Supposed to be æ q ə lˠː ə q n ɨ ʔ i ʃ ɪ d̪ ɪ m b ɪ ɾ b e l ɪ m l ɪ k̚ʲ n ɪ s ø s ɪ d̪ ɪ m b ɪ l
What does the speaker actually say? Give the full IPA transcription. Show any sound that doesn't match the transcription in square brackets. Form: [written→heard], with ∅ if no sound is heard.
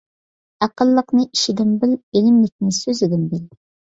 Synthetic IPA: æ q ə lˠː ə q n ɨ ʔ i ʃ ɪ d̪ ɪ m b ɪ [ɾ→l] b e l ɪ m l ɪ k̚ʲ n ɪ s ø [s→z] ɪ d̪ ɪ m b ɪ l